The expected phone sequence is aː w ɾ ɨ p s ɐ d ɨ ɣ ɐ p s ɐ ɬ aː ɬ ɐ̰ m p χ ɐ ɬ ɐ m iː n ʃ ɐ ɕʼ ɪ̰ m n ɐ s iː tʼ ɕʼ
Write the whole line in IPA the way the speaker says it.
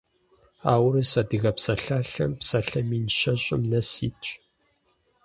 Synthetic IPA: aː w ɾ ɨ s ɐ d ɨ ɣ ɐ p s ɐ ɬ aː ɬ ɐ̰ m p s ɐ ɬ ɐ m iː n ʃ ɐ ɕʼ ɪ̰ m n ɐ s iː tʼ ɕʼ